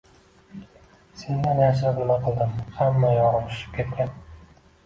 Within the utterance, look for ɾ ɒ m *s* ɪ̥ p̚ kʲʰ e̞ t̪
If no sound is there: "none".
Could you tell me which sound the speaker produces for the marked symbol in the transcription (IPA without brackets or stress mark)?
ʃ